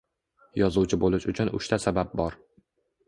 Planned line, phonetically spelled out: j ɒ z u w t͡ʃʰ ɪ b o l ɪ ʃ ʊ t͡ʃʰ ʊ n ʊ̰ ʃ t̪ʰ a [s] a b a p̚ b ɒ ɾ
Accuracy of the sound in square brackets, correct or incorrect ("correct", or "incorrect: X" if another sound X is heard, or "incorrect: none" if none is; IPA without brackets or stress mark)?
correct